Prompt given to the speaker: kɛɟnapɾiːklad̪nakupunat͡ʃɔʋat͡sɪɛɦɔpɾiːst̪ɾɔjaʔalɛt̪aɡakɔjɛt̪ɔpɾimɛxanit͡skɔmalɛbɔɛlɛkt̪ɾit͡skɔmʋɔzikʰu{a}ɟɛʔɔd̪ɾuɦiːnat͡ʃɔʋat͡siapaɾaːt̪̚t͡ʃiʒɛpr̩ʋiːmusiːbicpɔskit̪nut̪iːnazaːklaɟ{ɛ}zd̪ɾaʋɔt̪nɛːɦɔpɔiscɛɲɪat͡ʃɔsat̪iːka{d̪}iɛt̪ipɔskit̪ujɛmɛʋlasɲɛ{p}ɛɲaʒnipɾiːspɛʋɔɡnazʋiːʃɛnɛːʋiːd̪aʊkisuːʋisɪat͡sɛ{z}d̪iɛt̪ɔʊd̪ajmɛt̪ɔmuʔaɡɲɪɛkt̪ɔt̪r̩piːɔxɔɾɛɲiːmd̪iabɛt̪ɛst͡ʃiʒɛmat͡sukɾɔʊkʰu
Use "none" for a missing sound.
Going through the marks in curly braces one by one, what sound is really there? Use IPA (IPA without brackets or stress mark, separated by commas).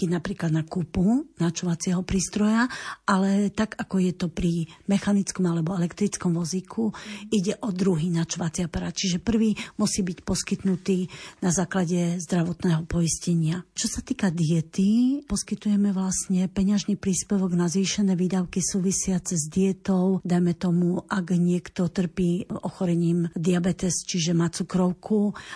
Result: i, ɛ, d̪, p, z